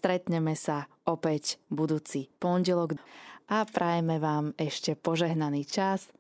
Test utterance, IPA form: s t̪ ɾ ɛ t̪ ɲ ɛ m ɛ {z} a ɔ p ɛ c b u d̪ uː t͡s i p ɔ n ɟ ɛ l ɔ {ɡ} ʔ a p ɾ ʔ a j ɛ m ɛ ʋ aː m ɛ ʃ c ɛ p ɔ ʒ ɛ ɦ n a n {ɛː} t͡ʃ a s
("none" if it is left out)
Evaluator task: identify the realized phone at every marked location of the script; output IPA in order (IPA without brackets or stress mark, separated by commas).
s, ɡ, iː